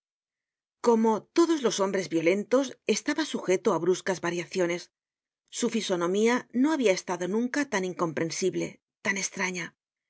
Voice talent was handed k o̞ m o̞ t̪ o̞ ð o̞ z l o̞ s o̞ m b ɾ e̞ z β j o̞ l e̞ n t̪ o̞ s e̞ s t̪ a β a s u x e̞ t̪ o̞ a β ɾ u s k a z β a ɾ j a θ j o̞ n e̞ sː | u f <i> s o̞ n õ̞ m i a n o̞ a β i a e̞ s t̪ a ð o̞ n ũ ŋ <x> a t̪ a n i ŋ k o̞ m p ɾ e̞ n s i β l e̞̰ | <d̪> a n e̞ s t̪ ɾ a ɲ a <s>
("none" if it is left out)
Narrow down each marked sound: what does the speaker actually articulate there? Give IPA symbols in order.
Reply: i, k, t̪, none

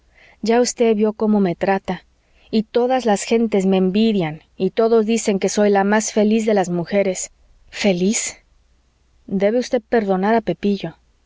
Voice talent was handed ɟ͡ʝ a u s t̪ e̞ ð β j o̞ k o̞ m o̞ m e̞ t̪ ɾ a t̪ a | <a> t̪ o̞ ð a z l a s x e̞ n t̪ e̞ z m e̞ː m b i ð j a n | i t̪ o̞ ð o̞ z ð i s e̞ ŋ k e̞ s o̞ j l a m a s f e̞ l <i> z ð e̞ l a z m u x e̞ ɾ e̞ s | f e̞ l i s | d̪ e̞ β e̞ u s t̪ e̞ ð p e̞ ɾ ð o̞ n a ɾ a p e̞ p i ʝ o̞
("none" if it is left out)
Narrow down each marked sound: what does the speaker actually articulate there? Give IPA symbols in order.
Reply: i, i

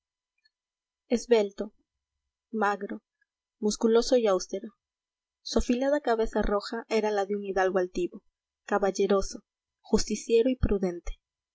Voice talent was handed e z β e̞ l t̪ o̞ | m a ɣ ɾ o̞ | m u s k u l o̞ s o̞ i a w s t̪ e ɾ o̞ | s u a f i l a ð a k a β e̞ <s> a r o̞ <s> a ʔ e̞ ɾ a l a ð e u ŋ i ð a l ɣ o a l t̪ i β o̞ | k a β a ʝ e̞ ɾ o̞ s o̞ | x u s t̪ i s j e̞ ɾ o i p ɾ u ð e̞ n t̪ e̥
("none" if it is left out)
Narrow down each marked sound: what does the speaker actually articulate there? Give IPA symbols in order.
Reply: s, x

